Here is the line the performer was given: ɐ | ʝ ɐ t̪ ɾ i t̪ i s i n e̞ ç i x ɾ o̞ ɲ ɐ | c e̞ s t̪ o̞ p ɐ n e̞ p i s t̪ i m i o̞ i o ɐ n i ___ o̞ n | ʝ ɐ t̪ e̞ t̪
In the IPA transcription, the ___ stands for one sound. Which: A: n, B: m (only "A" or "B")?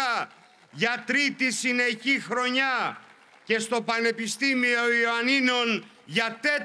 A